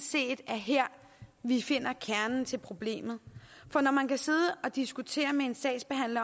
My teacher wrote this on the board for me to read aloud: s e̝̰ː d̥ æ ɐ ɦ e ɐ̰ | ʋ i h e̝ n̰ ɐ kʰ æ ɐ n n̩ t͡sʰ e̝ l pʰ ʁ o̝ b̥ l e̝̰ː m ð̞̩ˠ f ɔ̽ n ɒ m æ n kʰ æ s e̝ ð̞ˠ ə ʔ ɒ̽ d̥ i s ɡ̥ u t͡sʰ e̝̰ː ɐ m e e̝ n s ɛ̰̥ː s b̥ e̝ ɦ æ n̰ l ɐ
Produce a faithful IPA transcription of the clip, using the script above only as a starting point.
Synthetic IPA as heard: s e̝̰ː d̥ æ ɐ ɦ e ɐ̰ | ʋ i f e̝ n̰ ɐ kʰ æ ɐ n n̩ t͡sʰ e̝ l pʰ ʁ o̝ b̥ l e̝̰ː m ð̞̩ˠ f ɒ̽ n ɒ m æ n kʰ æ s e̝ ð̞ˠ ə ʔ ɒ̽ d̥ i s ɡ̥ u t͡sʰ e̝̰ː ɐ m e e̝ n s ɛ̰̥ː s b̥ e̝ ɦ æ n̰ l ɐ